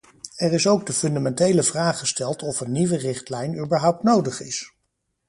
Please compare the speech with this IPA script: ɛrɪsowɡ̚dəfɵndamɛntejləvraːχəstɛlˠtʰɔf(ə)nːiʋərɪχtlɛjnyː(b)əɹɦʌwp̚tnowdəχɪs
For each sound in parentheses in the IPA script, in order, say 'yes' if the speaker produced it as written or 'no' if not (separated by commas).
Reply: yes, yes